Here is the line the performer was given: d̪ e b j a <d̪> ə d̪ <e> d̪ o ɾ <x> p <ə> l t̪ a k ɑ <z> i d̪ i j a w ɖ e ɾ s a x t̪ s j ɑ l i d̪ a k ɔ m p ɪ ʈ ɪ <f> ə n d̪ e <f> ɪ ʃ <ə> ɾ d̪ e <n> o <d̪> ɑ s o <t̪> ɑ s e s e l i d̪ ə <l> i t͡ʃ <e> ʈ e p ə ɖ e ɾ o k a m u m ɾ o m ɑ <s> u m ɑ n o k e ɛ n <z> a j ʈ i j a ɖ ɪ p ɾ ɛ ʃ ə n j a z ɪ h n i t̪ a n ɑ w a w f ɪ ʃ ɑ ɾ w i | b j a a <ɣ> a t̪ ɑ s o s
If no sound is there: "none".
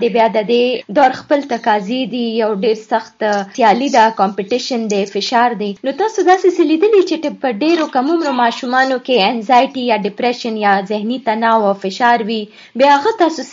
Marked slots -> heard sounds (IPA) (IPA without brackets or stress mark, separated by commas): d̪, e, x, ə, z, ʃ, f, ɑ, n, t̪, d̪, l, e, ʃ, z, ɣ